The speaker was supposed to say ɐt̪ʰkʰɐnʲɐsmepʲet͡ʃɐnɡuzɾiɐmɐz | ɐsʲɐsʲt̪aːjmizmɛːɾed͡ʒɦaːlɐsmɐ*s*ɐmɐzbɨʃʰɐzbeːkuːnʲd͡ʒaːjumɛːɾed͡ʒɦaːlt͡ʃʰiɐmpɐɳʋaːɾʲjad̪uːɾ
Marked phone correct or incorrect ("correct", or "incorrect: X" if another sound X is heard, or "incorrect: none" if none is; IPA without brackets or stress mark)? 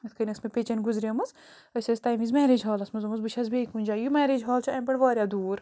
incorrect: z